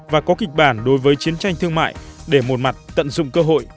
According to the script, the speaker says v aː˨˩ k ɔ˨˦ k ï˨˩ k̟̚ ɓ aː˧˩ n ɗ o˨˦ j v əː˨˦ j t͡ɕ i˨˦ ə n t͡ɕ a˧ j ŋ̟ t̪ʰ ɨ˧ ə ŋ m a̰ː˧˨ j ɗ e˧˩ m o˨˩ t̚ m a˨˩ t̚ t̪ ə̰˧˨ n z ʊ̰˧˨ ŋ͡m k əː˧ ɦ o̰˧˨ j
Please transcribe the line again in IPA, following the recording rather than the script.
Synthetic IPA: v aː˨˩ k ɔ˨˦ k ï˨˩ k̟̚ ɓ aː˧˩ n ɗ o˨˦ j v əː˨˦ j t͡ɕ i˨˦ ə n t͡ɕ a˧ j ŋ̟ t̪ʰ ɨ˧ ə ŋ m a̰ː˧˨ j ɗ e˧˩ m o˨˩ t̚ m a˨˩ t̚ t̪ ə̰˧˨ n z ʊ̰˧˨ ŋ͡m k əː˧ ɦ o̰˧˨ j